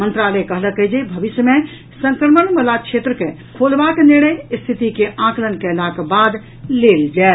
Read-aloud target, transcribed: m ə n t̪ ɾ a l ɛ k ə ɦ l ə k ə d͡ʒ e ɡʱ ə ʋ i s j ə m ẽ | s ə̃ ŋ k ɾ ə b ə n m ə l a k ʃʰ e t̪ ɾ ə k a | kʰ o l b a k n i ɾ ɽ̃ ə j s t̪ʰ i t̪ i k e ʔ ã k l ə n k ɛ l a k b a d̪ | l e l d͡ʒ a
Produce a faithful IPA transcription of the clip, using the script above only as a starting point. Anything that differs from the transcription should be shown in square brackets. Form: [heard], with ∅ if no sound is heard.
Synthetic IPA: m ə n t̪ ɾ a l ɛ k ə ɦ l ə k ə d͡ʒ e [bʱ] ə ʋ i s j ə m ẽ | s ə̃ ŋ k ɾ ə [m] ə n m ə l a k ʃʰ e t̪ ɾ ə k [e] | kʰ o l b a k n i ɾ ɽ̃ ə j s t̪ʰ i t̪ i k e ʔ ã k l ə n k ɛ l a k b a d̪ | l e l d͡ʒ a